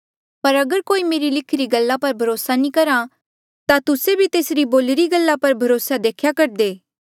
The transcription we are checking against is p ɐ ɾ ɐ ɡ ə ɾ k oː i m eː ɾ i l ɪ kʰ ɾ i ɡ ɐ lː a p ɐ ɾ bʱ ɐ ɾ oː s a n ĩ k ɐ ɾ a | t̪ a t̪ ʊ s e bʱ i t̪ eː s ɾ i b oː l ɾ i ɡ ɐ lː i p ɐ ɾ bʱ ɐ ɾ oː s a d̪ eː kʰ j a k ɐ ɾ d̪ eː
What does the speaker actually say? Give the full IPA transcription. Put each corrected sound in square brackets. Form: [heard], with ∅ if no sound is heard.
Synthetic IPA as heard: p ɐ ɾ ɐ ɡ ə ɾ k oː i m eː ɾ i l ɪ kʰ ɾ i ɡ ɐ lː a p ɐ ɾ bʱ ɐ ɾ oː s a n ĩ k ɐ ɾ a | t̪ a t̪ ʊ s e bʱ i t̪ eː s ɾ i b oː l ɾ i ɡ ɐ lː [a] p ɐ ɾ bʱ ɐ ɾ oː s a d̪ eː kʰ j a k ɐ ɾ d̪ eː